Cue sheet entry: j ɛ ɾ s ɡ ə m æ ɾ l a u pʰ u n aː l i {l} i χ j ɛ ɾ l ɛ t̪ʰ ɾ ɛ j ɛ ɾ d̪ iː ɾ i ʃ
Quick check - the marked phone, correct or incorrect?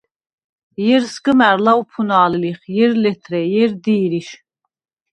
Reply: correct